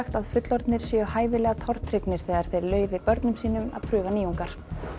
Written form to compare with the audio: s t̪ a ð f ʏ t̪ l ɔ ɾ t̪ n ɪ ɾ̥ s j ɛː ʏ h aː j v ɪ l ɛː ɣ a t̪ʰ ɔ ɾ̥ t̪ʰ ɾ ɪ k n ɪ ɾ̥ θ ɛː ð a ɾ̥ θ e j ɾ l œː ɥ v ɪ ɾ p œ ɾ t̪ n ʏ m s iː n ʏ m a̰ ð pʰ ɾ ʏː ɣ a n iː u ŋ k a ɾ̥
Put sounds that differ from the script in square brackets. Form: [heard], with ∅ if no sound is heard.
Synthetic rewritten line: [x] t̪ a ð f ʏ t̪ l ɔ ɾ t̪ n ɪ ɾ̥ s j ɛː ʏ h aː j v ɪ l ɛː ɣ a t̪ʰ ɔ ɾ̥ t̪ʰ ɾ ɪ k n ɪ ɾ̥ θ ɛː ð a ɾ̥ θ e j ɾ l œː ɥ v ɪ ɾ p œ ɾ t̪ n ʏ m s iː n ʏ m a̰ ð pʰ ɾ ʏː ɣ a n iː u ŋ k a ɾ̥